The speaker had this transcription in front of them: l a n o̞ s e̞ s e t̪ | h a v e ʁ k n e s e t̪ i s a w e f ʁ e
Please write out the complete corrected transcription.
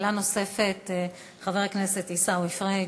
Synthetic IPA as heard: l a n o̞ s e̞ f e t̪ | χ a v e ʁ k n e s e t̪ i s a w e f ʁ e